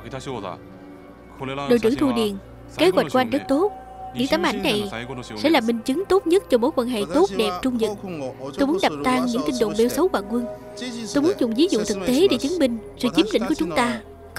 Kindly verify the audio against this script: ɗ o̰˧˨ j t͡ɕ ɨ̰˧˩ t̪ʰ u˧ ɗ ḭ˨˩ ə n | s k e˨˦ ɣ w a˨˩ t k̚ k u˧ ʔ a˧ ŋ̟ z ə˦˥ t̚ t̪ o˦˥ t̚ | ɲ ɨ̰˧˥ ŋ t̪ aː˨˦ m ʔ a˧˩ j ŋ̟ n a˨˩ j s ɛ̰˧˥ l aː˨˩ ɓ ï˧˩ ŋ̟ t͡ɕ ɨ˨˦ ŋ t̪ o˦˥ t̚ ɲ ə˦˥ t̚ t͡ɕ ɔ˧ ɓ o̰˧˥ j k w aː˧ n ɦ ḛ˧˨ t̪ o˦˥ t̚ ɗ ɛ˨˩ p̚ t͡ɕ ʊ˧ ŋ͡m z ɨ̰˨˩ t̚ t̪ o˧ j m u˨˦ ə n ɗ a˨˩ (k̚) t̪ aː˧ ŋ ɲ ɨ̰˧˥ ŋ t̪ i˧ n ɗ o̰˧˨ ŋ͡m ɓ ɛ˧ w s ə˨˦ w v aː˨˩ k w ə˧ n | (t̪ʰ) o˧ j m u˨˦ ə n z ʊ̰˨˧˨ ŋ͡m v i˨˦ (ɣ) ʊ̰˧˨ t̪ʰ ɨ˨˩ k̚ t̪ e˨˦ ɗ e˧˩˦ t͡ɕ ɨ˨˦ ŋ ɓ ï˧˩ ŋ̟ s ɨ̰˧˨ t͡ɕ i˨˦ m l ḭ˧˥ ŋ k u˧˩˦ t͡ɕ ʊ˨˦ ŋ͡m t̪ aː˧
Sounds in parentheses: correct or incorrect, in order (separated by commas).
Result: incorrect, incorrect, incorrect